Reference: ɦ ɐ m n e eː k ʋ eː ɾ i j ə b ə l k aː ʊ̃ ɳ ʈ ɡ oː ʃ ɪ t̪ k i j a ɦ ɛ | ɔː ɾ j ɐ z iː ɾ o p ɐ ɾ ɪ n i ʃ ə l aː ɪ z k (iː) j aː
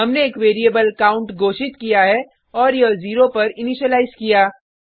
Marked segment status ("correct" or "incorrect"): incorrect